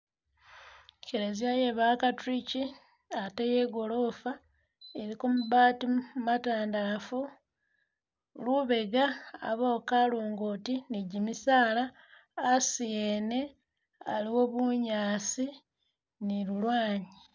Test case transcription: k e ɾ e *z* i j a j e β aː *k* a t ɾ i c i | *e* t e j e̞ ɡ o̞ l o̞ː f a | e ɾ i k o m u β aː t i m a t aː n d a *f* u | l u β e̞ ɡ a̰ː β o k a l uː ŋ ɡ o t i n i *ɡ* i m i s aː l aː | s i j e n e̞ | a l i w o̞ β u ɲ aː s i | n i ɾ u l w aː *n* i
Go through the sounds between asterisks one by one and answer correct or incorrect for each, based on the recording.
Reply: correct, correct, incorrect: a, correct, incorrect: ɟ, incorrect: ɲ

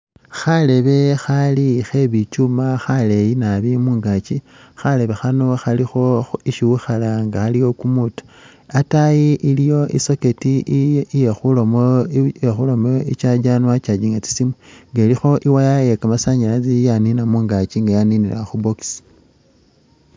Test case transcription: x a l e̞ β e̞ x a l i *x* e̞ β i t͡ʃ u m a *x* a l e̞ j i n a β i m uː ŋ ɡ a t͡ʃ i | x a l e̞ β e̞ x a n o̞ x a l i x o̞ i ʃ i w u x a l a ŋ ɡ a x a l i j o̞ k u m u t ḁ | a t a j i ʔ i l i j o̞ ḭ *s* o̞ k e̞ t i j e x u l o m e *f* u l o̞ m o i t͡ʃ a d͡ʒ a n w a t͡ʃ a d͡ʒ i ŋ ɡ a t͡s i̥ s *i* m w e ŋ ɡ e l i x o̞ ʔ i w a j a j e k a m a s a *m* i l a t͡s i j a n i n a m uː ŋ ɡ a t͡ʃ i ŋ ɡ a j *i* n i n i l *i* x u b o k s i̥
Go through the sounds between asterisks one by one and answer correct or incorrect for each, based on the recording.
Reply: correct, correct, correct, incorrect: x, correct, incorrect: ɲ, incorrect: a, incorrect: a

